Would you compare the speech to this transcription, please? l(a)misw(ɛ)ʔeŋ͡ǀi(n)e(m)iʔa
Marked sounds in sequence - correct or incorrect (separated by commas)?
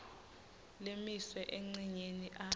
incorrect, correct, incorrect, incorrect